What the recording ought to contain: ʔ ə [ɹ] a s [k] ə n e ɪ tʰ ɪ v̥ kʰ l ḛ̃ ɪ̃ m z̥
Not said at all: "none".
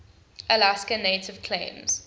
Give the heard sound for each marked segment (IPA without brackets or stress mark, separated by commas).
l, k